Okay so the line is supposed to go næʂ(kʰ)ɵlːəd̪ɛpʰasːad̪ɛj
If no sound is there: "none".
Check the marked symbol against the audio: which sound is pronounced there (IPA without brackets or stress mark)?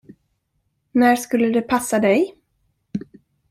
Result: k